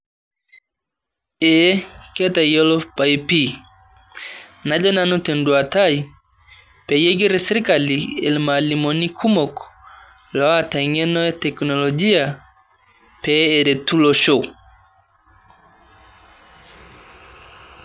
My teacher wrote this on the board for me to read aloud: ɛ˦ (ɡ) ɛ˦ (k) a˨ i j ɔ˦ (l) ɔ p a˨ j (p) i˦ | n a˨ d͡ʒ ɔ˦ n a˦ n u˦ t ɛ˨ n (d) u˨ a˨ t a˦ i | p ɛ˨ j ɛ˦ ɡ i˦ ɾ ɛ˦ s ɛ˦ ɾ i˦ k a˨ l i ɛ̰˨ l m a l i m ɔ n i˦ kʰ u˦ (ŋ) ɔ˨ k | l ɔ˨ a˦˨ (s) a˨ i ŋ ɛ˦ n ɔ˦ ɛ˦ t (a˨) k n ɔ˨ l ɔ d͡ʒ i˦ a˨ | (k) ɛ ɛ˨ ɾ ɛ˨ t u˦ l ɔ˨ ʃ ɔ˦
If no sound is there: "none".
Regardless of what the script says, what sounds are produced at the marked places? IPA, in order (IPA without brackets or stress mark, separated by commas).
k, t, l, p, d, m, t, ɛ˨, p